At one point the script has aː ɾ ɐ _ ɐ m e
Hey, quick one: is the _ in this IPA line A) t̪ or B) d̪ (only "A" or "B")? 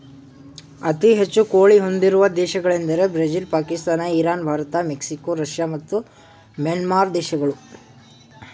A